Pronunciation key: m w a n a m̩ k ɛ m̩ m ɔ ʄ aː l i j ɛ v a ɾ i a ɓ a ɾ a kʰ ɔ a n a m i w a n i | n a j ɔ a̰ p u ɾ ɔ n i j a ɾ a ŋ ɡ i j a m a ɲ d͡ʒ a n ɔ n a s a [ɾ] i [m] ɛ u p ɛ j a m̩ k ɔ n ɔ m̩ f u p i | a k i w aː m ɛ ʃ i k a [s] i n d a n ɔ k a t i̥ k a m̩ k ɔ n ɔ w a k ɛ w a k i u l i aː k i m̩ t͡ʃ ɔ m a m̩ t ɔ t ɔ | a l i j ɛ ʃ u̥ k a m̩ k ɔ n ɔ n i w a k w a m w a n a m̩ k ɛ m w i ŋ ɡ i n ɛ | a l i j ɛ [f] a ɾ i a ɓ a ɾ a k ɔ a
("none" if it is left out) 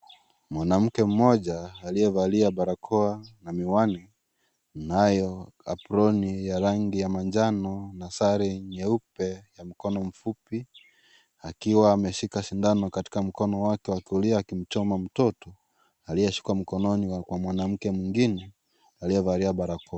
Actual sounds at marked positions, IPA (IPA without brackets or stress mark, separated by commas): ɾ, ɲ, ʃ, v